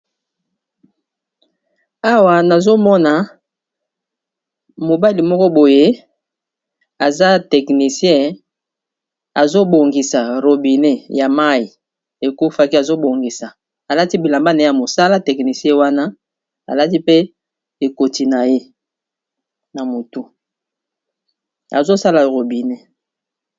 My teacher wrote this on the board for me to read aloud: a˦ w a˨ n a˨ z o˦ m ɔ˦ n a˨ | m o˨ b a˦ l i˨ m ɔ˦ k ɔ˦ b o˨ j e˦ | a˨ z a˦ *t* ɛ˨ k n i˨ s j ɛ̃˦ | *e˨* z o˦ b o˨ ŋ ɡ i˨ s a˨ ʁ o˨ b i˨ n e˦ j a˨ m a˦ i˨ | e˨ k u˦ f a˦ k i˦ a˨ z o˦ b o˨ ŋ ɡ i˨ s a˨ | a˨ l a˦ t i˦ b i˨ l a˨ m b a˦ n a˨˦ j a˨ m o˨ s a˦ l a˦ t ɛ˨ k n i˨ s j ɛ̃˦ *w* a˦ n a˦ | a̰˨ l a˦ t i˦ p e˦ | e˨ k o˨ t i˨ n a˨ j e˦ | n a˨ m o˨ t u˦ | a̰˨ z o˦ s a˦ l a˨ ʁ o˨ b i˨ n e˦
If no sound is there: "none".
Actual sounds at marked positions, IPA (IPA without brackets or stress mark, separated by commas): t, a˨, w